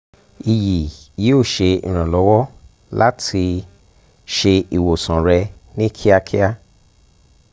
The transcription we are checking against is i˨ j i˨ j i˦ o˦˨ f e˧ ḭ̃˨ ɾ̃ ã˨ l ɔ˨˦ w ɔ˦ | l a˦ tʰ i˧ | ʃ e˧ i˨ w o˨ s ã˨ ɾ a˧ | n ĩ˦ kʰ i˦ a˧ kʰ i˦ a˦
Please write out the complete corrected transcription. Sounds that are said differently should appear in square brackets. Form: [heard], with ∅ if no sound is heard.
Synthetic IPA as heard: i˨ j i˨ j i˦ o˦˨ [ʃ] e˧ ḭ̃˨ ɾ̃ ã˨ l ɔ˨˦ w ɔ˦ | l a˦ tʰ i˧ | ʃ e˧ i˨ w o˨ s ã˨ ɾ [ɛ˧] | n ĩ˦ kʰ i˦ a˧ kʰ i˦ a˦